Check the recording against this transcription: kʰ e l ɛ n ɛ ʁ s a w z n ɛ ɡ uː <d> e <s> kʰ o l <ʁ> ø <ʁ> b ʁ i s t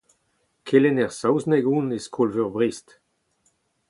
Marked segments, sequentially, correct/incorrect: incorrect, correct, incorrect, correct

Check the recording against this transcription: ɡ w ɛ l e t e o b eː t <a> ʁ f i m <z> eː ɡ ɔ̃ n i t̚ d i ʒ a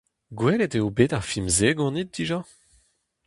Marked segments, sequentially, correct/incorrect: correct, correct

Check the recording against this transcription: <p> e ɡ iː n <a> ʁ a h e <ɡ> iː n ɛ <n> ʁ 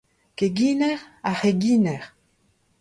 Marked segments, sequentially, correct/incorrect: incorrect, incorrect, correct, incorrect

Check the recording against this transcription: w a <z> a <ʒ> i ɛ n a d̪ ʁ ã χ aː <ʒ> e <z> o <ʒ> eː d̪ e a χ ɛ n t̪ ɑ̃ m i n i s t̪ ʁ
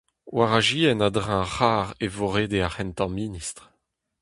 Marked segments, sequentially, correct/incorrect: incorrect, correct, incorrect, incorrect, incorrect

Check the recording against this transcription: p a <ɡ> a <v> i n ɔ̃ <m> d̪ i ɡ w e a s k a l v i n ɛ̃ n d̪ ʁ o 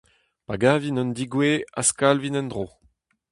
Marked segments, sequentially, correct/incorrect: correct, correct, incorrect

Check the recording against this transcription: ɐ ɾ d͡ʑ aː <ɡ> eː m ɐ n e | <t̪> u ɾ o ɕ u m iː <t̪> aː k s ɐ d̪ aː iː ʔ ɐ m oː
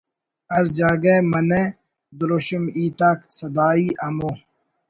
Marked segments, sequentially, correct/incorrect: correct, incorrect, correct

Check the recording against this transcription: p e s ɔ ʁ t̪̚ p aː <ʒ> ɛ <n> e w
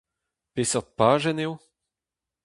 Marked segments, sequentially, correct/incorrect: correct, correct

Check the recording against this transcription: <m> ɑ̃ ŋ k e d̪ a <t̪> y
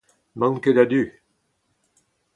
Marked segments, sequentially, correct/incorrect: correct, incorrect

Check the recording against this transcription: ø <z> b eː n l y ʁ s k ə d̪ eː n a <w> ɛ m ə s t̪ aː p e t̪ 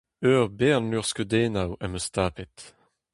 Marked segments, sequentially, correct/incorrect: incorrect, correct

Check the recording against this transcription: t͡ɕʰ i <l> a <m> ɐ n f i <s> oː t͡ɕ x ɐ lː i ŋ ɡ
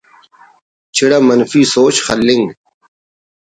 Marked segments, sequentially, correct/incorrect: incorrect, correct, correct

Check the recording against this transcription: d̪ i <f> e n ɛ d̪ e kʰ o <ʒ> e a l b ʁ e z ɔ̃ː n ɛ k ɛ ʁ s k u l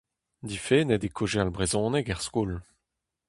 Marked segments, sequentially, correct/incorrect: correct, correct

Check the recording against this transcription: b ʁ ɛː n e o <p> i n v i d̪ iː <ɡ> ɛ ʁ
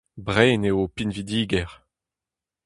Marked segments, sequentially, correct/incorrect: correct, correct

